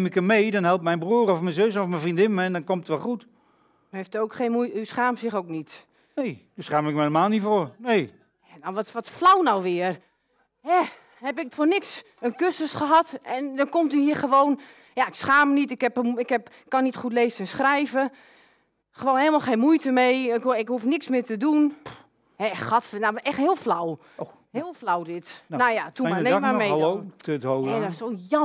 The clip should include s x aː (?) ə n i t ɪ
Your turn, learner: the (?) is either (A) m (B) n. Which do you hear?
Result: A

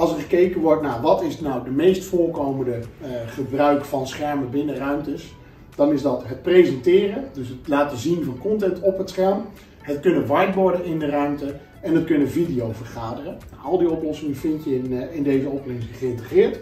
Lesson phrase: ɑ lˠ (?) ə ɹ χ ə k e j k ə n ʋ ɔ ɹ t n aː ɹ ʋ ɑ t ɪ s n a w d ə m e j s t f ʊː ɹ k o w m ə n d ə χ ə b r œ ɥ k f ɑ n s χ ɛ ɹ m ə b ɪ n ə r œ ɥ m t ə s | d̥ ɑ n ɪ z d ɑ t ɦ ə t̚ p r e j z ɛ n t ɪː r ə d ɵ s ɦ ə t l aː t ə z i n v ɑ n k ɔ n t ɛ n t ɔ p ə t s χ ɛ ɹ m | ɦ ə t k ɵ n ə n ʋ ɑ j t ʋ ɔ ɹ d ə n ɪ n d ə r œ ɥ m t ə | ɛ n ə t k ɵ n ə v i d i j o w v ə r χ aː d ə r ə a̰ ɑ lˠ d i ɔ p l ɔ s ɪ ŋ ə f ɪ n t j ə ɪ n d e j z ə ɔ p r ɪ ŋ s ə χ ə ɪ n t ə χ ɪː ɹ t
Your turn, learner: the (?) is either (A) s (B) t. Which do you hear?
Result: A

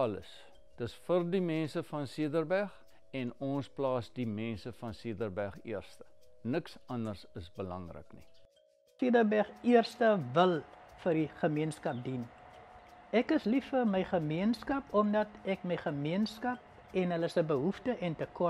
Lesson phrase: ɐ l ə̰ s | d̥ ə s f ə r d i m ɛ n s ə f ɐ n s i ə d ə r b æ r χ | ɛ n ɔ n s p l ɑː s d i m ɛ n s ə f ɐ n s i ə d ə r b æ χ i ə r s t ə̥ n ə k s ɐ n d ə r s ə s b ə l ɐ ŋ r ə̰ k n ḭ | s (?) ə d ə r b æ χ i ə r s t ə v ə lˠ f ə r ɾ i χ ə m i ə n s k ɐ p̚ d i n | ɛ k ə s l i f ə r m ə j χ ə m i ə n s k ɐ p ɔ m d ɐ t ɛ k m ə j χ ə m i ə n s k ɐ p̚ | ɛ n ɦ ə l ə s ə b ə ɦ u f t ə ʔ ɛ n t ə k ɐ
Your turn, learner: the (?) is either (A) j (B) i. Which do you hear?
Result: B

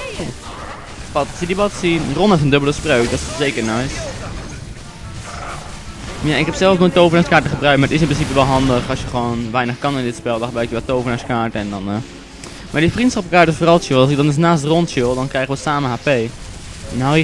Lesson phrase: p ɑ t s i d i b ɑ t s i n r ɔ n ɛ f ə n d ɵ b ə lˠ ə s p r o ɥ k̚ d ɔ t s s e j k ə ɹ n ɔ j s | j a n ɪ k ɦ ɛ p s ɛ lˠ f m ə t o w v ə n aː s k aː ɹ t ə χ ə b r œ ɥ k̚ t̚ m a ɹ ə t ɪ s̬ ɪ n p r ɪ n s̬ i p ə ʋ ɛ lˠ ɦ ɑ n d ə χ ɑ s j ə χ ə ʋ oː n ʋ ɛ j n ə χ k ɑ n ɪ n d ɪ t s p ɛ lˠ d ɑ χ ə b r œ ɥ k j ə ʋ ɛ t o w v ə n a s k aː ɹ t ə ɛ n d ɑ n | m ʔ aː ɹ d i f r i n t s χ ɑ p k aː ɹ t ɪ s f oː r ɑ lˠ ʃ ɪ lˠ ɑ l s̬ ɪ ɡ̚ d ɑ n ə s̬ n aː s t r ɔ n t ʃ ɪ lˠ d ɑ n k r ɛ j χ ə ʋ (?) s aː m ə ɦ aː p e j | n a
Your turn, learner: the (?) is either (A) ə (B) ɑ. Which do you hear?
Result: A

